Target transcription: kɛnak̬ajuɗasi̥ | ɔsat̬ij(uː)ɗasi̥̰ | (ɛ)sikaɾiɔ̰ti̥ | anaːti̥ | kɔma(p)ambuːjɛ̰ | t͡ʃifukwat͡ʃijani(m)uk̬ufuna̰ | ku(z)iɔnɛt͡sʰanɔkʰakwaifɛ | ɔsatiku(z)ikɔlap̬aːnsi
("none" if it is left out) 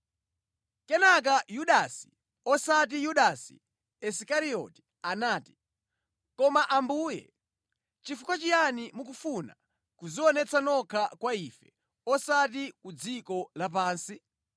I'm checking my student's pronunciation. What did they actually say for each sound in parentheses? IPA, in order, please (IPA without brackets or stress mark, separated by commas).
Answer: u, ɛ, ʔ, m, z, d͡z